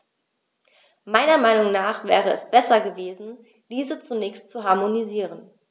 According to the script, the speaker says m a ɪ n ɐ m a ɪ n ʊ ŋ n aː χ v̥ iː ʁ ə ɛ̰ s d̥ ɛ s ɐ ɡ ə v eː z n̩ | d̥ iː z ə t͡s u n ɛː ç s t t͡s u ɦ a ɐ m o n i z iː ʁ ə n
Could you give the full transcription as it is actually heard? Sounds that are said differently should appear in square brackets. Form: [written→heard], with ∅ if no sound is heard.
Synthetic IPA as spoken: m a ɪ n ɐ m a ɪ n ʊ ŋ n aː χ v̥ [iː→ɛː] ʁ ə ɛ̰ s [d̥→b̥] ɛ s ɐ ɡ ə v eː z n̩ | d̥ iː z ə t͡s u n ɛː ç s t t͡s u ɦ a ɐ m o n i z iː ʁ ə n